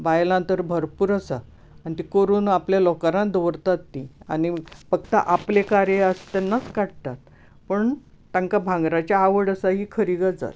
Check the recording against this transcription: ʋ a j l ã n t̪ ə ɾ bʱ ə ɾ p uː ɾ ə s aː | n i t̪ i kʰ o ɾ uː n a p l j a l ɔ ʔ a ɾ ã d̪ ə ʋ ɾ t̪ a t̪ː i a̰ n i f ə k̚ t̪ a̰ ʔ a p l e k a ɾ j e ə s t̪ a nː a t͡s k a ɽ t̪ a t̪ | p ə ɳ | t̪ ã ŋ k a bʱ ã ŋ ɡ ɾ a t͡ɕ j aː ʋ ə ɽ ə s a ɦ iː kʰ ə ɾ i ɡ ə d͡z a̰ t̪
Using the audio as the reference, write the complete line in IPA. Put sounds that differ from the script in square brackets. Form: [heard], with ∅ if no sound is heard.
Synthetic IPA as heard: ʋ a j l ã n t̪ ə ɾ bʱ ə ɾ p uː ɾ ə s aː | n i t̪ i [k] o ɾ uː n a p l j a l ɔ [k] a ɾ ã d̪ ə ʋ ɾ t̪ a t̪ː i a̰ n i f ə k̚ t̪ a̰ ʔ a p l e k a ɾ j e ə s t̪ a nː a t͡s k a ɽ t̪ a t̪ | p ə ɳ | t̪ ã ŋ k a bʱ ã ŋ ɡ ɾ a t͡ɕ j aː ʋ ə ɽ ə s a ɦ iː kʰ ə ɾ i ɡ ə d͡z a̰ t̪